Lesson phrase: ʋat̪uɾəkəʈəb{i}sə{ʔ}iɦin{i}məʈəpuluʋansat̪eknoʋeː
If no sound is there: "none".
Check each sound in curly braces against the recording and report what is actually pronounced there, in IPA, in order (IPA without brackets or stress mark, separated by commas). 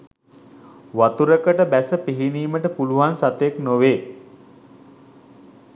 æ, p, iː